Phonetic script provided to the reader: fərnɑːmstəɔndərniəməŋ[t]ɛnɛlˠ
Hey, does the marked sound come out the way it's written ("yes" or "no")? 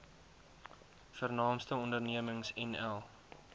no